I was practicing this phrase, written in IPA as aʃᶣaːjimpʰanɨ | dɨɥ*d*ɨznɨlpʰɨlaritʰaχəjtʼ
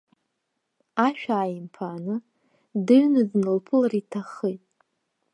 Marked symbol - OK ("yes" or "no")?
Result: no